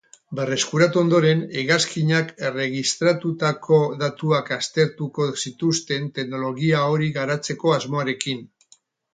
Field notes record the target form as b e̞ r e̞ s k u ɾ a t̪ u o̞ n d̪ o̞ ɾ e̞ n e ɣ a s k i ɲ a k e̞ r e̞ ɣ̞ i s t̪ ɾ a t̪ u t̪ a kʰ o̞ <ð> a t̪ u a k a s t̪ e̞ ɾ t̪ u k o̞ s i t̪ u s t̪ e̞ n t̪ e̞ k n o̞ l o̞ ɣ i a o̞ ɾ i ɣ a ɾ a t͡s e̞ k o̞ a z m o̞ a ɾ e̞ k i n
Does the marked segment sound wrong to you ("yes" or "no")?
no